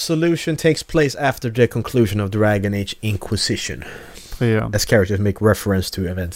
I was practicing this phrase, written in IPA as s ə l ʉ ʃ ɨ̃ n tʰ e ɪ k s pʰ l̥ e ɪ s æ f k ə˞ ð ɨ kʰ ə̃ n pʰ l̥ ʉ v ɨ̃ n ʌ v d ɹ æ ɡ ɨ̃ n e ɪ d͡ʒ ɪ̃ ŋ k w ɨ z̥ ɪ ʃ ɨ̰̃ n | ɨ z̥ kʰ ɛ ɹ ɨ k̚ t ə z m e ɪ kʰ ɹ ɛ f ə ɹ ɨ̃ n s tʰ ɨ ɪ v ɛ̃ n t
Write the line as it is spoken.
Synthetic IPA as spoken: s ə l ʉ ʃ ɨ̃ n tʰ e ɪ k s pʰ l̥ e ɪ s æ f t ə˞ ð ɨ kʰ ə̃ n kʰ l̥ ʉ ʒ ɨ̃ n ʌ v d ɹ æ ɡ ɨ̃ n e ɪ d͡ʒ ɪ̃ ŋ kʰ w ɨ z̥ ɪ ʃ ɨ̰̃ n | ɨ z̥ kʰ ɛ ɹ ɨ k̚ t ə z m e ɪ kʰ ɹ ɛ f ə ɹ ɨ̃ n s tʰ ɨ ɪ v ɛ̃ n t